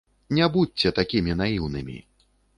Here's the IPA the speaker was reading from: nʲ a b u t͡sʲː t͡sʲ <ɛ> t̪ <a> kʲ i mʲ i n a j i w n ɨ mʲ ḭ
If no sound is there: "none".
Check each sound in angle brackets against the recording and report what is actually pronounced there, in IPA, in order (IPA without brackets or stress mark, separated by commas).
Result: ɛ, a